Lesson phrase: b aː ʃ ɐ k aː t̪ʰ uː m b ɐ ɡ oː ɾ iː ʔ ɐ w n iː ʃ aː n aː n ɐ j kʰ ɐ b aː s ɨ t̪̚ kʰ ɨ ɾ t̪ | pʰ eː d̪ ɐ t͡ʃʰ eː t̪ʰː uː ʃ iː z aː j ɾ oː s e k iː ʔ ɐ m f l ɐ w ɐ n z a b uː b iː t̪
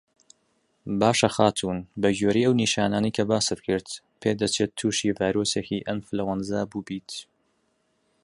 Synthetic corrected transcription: b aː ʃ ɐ x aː t̪ʰ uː n b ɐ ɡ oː ɾ iː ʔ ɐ w n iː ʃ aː n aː n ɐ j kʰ ɐ b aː s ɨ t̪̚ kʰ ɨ ɾ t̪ | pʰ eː d̪ ɐ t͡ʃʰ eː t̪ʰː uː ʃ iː v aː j ɾ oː s e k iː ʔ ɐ m f l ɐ w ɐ n z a b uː b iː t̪